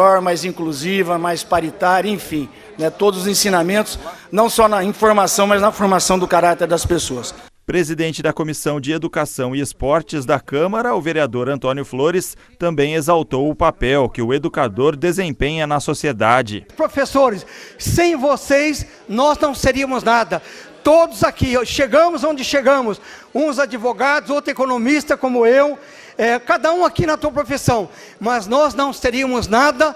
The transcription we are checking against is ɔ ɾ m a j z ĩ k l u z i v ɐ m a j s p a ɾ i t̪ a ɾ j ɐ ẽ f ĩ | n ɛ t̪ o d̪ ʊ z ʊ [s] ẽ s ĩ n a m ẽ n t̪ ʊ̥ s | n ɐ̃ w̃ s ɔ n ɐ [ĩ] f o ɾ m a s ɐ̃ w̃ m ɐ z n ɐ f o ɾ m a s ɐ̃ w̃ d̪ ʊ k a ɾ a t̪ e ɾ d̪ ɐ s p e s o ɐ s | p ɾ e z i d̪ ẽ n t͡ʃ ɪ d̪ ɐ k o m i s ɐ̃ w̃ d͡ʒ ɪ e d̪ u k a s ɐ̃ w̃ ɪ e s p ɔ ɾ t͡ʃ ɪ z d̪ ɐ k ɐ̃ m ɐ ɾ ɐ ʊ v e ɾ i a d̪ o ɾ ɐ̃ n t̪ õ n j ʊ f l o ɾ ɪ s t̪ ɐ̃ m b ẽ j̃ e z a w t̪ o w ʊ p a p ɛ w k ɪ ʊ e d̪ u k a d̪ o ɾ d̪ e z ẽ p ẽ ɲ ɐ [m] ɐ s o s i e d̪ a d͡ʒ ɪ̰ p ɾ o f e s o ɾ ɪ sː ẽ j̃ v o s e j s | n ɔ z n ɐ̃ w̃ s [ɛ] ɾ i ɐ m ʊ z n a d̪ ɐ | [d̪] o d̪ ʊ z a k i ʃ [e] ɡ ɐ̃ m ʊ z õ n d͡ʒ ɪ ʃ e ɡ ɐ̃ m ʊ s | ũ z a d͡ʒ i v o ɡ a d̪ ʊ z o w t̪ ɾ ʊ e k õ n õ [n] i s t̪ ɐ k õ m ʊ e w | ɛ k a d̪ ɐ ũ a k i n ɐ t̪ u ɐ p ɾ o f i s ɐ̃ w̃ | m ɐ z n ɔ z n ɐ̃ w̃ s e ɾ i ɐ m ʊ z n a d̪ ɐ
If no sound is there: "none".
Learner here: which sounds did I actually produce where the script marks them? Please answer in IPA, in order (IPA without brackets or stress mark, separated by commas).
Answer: z, ĩ, n, e, t̪, e, m